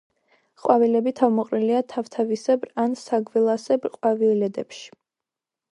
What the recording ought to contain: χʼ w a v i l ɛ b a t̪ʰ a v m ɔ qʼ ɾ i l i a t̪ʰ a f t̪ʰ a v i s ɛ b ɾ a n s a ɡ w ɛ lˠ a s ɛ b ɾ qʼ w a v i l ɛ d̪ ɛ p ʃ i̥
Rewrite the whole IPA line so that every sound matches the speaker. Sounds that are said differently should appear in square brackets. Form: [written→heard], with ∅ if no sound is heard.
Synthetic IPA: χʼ w a v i l ɛ b [a→i] t̪ʰ a v m ɔ qʼ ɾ i l i a t̪ʰ a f t̪ʰ a v i s ɛ b ɾ a n s a ɡ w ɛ lˠ a s ɛ b ɾ qʼ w a v i l ɛ d̪ ɛ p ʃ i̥